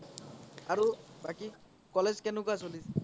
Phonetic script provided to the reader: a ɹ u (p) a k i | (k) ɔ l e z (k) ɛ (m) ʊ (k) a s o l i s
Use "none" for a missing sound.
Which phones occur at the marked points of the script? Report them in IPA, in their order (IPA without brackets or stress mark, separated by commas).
b, k, k, n, k